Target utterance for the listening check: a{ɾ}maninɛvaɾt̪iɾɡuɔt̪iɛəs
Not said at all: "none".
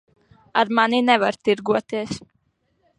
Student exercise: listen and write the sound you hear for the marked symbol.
ɾ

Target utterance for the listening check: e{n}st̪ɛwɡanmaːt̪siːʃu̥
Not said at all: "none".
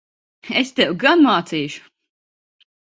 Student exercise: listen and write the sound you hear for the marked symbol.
none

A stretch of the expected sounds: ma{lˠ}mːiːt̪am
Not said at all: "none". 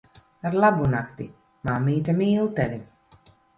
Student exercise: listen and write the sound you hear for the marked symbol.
none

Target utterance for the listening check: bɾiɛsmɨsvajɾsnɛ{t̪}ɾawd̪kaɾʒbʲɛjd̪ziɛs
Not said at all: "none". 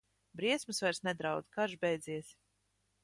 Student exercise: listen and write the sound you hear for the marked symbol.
d̪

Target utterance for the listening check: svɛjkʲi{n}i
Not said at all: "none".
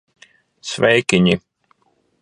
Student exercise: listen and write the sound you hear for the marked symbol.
ɲ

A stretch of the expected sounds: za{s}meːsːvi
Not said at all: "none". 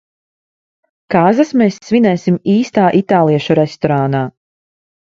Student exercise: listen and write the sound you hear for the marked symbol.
s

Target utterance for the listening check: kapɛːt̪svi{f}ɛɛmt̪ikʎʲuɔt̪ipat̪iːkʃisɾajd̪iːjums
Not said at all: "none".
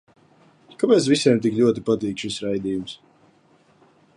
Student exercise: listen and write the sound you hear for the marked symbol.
s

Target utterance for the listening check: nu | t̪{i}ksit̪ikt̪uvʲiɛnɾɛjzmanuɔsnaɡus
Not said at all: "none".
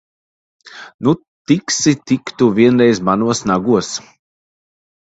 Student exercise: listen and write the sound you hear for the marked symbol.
i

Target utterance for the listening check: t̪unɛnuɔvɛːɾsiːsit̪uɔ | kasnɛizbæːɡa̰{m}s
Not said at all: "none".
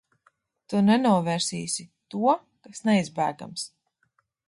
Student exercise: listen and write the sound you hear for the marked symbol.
m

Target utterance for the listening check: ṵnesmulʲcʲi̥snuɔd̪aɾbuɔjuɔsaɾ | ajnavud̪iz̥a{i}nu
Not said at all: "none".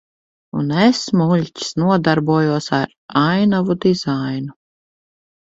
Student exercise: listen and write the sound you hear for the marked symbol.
j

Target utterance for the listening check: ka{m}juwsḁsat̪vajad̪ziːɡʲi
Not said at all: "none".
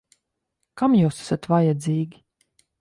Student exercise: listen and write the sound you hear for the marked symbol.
m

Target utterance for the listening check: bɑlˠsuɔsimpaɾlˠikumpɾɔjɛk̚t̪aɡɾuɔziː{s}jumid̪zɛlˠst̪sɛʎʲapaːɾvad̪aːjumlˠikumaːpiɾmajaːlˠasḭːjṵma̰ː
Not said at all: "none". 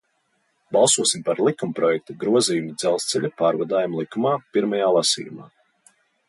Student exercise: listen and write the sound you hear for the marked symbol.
none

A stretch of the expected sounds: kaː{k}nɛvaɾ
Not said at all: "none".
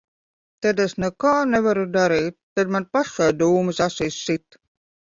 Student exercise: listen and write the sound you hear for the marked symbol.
none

